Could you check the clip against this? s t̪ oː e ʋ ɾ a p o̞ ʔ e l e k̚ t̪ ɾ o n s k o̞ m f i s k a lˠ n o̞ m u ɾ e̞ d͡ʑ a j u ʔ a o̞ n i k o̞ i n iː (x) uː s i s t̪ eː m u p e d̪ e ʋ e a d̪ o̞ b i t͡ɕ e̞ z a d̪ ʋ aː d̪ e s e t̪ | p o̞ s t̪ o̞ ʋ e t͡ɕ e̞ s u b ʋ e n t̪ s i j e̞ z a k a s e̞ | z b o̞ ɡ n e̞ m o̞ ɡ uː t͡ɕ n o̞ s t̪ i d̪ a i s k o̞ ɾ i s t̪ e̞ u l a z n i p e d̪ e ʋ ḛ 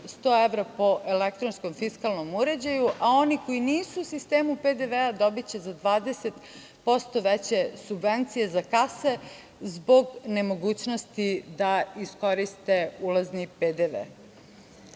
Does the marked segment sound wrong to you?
yes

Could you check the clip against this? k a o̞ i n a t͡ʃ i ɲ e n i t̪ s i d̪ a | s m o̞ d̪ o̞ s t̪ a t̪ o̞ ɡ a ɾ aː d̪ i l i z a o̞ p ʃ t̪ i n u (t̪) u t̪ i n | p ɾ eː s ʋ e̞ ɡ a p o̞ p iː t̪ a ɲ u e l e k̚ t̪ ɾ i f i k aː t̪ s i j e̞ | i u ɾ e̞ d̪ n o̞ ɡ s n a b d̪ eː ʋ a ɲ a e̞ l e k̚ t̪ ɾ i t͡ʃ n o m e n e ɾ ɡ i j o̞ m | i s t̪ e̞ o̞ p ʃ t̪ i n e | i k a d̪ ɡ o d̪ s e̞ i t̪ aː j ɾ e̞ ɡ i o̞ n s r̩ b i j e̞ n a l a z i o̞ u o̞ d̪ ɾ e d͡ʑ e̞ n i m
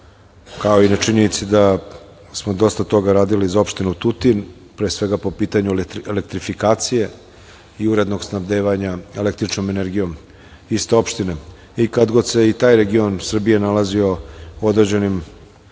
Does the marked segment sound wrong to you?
no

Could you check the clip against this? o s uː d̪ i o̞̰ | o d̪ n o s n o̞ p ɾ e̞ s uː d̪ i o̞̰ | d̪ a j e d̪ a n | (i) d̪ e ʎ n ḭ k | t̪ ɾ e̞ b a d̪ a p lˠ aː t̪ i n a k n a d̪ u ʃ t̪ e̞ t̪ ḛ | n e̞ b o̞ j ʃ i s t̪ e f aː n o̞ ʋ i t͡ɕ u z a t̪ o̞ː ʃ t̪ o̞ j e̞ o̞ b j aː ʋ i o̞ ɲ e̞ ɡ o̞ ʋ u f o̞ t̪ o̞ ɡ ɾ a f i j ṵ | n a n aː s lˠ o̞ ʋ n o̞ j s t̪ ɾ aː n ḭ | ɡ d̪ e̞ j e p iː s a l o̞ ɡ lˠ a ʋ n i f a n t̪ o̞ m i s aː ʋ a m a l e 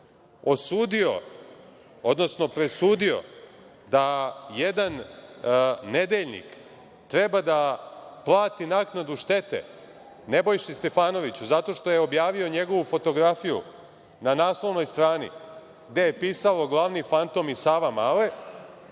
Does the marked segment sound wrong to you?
yes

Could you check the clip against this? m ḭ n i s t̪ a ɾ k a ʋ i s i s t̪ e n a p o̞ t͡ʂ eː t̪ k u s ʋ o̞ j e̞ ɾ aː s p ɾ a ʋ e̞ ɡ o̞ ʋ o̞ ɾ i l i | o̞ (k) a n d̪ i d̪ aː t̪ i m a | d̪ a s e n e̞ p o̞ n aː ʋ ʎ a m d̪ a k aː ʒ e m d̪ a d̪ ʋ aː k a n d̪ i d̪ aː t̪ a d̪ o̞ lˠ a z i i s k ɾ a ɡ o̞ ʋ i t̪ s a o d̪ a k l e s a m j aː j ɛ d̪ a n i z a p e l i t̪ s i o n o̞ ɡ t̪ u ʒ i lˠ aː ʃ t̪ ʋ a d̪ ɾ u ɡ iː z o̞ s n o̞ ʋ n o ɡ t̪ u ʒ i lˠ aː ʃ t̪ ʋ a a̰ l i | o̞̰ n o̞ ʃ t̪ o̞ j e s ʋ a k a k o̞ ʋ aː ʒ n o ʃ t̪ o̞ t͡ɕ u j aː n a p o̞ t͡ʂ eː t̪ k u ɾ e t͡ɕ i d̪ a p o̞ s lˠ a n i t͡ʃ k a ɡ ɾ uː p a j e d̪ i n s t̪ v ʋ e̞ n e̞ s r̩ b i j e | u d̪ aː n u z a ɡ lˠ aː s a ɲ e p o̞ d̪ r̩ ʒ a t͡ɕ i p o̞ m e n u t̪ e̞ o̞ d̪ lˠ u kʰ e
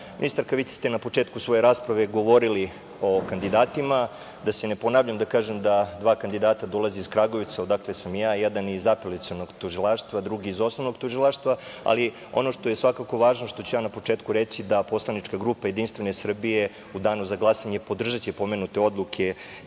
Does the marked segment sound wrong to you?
no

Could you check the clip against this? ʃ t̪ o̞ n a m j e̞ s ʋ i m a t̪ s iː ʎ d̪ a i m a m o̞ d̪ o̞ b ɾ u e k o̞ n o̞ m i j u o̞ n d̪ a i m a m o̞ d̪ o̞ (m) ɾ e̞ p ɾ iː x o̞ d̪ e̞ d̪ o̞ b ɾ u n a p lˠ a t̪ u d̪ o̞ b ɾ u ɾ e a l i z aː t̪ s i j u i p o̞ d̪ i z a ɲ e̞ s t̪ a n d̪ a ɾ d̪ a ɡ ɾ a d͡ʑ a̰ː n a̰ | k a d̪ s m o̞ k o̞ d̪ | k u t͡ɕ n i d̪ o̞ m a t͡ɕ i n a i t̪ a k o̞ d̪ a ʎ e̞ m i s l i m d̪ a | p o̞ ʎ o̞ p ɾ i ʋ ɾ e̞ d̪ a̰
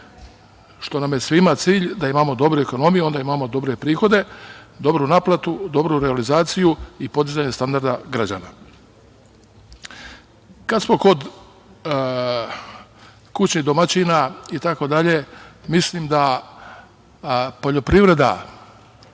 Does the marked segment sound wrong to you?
yes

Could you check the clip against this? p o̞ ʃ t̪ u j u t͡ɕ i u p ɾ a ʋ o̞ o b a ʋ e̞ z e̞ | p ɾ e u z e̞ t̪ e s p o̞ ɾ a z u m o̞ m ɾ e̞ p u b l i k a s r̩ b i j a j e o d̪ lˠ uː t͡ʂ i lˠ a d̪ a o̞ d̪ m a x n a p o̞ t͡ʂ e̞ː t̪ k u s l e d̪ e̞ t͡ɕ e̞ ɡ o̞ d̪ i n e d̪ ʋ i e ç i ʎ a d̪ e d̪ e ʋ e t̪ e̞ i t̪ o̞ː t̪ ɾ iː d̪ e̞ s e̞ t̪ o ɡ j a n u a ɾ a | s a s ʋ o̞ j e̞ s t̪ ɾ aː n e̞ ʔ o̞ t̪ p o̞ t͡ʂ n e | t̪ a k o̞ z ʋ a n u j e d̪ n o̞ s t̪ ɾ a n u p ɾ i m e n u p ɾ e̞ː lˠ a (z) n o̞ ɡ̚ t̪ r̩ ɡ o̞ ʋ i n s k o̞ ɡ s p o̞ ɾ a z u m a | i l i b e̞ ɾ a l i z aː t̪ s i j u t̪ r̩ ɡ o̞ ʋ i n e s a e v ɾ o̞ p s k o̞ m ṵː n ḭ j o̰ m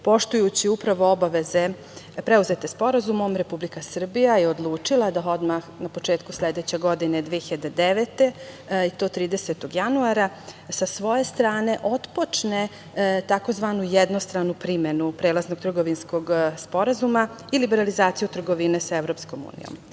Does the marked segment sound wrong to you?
no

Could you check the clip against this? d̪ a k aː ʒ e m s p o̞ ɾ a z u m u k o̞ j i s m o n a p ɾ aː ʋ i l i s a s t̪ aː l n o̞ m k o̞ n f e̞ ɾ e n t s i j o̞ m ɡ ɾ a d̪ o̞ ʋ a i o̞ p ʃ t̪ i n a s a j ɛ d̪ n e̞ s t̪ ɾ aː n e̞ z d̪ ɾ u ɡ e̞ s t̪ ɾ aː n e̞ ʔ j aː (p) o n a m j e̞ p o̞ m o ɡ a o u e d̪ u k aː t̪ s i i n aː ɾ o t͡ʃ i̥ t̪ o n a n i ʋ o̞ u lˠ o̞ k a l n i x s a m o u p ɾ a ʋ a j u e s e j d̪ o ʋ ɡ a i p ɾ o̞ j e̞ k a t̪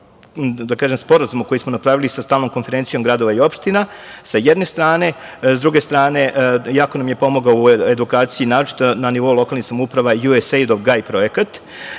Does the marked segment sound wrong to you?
yes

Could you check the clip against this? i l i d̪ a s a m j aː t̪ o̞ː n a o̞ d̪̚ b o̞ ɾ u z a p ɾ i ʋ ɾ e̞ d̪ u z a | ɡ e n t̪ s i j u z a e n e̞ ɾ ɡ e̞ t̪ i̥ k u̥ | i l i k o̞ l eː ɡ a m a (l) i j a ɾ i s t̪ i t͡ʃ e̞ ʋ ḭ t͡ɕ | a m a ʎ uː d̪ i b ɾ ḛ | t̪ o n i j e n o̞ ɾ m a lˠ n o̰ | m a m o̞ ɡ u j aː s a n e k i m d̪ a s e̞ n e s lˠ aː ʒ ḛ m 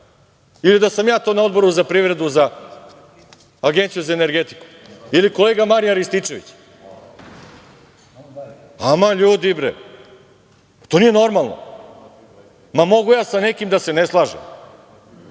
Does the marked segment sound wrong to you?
yes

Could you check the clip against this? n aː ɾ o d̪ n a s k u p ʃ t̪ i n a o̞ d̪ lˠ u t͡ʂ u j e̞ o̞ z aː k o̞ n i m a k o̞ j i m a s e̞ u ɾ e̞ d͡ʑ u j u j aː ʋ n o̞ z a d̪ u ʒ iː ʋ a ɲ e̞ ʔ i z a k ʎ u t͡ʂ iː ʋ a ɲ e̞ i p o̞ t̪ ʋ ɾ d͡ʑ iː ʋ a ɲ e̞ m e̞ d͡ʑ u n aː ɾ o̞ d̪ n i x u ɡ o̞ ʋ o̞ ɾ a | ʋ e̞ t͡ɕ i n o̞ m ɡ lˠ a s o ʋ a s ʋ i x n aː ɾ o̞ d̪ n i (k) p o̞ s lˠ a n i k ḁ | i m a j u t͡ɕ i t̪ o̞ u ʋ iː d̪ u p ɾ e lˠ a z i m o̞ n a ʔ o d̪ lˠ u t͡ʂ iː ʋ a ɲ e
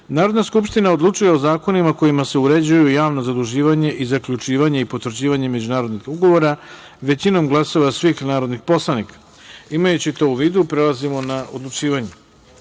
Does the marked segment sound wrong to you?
yes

